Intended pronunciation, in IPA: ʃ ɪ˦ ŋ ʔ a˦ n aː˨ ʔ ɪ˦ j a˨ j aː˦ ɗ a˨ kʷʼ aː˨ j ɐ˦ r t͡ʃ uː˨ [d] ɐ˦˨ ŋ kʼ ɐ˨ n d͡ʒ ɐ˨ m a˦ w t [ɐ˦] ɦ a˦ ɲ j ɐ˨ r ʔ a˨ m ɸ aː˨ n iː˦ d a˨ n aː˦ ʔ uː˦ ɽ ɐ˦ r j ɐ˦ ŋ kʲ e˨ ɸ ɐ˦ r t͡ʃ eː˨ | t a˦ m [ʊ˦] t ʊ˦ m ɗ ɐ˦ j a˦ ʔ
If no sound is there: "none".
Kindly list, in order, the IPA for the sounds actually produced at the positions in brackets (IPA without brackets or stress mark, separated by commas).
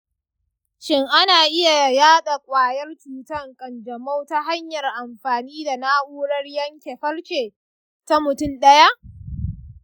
t, a˦, ʊ˨